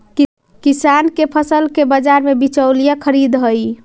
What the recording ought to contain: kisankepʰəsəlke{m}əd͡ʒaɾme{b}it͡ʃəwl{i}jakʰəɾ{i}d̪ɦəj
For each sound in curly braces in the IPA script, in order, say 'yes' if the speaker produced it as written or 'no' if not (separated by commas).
no, yes, yes, yes